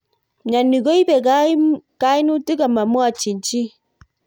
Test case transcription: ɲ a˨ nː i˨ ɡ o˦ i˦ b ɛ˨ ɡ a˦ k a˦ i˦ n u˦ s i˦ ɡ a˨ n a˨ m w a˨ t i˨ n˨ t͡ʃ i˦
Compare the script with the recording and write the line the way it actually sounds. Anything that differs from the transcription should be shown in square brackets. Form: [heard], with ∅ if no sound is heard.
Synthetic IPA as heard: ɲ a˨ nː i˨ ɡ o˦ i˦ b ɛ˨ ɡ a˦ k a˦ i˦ n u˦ [t] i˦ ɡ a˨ [m] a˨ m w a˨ [t͡ʃ] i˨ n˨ t͡ʃ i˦